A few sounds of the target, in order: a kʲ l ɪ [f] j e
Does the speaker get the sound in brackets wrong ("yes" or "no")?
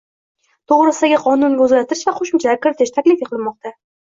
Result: no